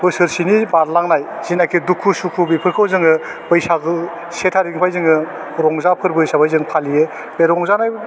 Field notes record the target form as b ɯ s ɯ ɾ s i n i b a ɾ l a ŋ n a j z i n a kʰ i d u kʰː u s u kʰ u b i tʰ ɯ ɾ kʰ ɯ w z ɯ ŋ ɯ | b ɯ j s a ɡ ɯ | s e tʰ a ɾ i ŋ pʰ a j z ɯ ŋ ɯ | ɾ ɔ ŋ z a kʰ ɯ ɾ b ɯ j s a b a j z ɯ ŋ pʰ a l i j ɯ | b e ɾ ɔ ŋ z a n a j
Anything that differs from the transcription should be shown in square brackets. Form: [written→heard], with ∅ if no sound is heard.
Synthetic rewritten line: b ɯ s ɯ ɾ s i n i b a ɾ l a ŋ n a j z i n a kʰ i d u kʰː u s u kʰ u b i [tʰ→pʰ] ɯ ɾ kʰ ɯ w z ɯ ŋ ɯ | b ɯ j s a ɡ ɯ | s e tʰ a ɾ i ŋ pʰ a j z ɯ ŋ ɯ | ɾ ɔ ŋ z a [kʰ→pʰ] ɯ ɾ b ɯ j s a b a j z ɯ ŋ pʰ a l i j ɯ | b e ɾ ɔ ŋ z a n a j

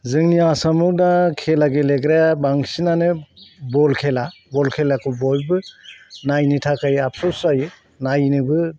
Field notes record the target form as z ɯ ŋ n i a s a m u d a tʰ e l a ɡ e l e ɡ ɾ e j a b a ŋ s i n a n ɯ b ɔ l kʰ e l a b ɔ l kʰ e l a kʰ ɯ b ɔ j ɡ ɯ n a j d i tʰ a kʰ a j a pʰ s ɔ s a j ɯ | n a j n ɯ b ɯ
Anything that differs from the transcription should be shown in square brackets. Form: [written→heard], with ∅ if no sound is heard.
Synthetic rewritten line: z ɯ ŋ n i a s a m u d a [tʰ→kʰ] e l a ɡ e l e ɡ ɾ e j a b a ŋ s i n a n ɯ b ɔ l kʰ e l a b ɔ l kʰ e l a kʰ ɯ b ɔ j [ɡ→b] ɯ n a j [d→n] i tʰ a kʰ a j a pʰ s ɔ s a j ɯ | n a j n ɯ b ɯ

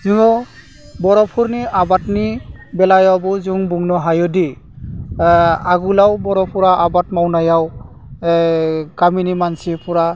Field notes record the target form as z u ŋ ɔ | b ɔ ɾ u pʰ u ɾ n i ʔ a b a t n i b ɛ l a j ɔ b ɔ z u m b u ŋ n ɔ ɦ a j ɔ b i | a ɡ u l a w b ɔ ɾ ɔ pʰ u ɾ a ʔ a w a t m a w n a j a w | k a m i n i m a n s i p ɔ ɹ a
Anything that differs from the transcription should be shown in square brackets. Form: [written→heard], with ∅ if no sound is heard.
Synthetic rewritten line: z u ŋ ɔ | b ɔ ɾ [u→ɔ] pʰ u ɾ n i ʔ a b a t n i b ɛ l a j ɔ b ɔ z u [m→ŋ] b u ŋ n ɔ ɦ a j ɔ [b→d] i | a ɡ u l a w b ɔ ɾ ɔ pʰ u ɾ a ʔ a [w→b] a t m a w n a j a w | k a m i n i m a n s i p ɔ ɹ a

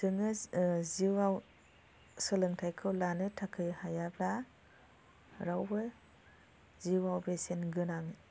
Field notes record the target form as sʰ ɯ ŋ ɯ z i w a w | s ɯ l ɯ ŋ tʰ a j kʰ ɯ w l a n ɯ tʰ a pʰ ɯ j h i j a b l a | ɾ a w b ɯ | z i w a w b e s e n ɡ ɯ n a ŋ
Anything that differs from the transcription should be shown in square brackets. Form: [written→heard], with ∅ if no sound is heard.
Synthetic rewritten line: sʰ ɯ ŋ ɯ z i w a w | s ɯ l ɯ ŋ tʰ a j kʰ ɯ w l a n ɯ tʰ a [pʰ→kʰ] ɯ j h [i→a] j a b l a | ɾ a w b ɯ | z i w a w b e s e n ɡ ɯ n a ŋ

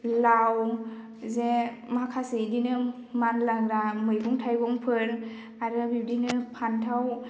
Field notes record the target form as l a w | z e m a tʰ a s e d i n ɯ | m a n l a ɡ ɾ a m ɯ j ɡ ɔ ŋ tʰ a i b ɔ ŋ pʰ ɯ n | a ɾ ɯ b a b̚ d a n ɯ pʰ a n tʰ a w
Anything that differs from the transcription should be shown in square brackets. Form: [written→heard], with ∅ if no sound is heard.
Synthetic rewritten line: l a w | z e m a [tʰ→kʰ] a s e d i n ɯ | m a n l a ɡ ɾ a m ɯ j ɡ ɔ ŋ tʰ a [i→j] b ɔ ŋ pʰ ɯ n | a ɾ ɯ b [a→i] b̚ d [a→i] n ɯ pʰ a n tʰ a w

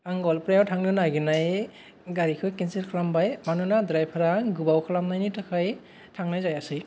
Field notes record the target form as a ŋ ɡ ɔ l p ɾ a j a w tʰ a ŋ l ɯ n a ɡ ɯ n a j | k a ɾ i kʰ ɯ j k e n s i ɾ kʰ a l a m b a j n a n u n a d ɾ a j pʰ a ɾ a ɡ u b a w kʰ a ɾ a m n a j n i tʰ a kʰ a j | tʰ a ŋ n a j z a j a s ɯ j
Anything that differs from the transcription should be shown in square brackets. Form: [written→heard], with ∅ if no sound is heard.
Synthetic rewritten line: a ŋ ɡ ɔ l p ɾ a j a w tʰ a ŋ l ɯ n a ɡ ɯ n a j | [k→ɡ] a ɾ i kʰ ɯ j k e n s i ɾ kʰ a l a m b a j [n→m] a n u n a d ɾ a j pʰ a ɾ a ɡ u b a w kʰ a [ɾ→l] a m n a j n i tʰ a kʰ a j | tʰ a ŋ n a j z a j a s ɯ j

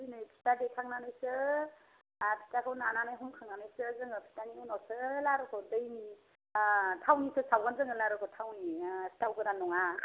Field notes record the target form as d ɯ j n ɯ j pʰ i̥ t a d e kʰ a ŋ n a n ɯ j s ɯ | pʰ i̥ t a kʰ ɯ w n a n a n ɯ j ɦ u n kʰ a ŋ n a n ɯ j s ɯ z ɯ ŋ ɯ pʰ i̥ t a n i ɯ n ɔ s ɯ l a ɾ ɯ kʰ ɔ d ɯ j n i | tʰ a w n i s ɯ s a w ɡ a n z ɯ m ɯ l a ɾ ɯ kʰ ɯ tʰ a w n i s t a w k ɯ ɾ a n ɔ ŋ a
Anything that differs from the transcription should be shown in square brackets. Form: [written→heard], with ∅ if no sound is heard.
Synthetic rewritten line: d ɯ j n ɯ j pʰ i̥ t a d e kʰ a ŋ n a n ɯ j s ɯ | pʰ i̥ t a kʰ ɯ w n a n a n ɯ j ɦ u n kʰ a ŋ n a n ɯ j s ɯ z ɯ ŋ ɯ pʰ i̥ t a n i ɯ n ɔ s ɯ l a ɾ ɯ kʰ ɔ d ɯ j n i | tʰ a w n i s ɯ s a w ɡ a n z ɯ [m→ŋ] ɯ l a ɾ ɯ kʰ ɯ tʰ a w n i s t a w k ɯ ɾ a n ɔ ŋ a

